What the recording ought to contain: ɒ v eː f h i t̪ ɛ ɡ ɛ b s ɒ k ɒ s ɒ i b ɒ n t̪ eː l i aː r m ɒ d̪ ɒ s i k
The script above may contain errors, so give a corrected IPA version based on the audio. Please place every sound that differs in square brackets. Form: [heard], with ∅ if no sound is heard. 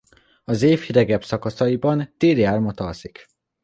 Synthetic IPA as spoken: ɒ [z] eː f h i [d̪] ɛ ɡ ɛ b s ɒ k ɒ s ɒ i b ɒ n t̪ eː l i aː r m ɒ [t̪] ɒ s i k

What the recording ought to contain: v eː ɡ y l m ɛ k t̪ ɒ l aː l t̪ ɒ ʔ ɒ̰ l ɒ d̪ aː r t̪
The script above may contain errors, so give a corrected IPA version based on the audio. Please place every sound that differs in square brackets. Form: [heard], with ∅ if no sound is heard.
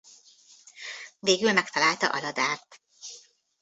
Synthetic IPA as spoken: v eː ɡ y l m ɛ k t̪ ɒ l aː l t̪ ɒ ʔ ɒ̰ l ɒ d̪ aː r t̪

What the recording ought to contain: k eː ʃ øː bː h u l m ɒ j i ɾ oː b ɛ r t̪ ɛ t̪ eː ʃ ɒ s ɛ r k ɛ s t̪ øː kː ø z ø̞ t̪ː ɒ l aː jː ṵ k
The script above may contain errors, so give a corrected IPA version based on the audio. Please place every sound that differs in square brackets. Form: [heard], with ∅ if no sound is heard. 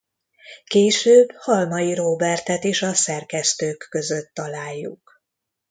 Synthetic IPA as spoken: k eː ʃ øː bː h [ɒ] l m ɒ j i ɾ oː b ɛ r t̪ ɛ t̪ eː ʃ ɒ s ɛ r k ɛ s t̪ øː kː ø z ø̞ t̪ː ɒ l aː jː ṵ k

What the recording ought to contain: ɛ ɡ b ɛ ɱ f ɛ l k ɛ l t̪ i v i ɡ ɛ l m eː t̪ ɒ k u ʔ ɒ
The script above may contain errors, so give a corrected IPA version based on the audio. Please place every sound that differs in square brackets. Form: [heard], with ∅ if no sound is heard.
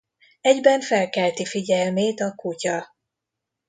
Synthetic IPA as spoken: ɛ [ɟ] b ɛ ɱ f ɛ l k ɛ l t̪ i [f] i [ɟ] ɛ l m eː t̪ ɒ k u [c] ɒ

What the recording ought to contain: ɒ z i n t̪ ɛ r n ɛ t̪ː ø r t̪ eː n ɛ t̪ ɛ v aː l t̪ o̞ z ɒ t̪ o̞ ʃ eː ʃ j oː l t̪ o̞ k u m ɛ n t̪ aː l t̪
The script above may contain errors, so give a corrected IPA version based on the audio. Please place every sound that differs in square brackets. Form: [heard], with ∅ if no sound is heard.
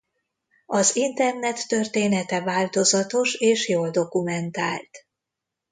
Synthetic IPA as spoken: ɒ z i n t̪ ɛ r n ɛ t̪ː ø r t̪ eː n ɛ t̪ ɛ v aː l t̪ o̞ z ɒ t̪ o̞ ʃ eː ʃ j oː l [d̪] o̞ k u m ɛ n t̪ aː l t̪

